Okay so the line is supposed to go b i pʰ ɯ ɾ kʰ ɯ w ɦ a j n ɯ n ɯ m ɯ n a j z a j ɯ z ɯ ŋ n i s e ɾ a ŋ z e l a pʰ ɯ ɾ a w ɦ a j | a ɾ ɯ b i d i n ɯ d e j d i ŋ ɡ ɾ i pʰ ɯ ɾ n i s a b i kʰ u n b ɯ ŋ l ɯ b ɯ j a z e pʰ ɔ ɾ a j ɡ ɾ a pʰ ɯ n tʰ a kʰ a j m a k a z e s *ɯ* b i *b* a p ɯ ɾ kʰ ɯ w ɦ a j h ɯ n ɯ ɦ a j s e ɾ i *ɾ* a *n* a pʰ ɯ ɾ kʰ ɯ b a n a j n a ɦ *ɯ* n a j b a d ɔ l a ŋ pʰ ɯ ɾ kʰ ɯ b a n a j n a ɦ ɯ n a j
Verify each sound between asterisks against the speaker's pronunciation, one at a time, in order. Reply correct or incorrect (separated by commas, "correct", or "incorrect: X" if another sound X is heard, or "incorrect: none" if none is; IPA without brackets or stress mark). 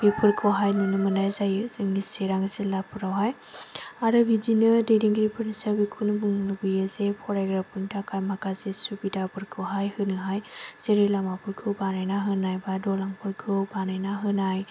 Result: incorrect: u, incorrect: d, incorrect: l, incorrect: m, correct